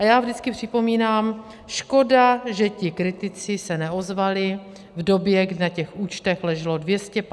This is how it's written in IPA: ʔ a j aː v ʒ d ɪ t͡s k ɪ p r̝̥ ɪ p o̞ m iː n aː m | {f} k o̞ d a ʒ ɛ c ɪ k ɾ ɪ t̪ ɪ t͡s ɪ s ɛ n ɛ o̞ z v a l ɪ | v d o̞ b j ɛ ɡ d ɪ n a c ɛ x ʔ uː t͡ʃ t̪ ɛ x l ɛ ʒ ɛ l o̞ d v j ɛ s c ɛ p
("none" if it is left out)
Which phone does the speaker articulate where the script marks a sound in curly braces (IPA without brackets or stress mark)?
ʃ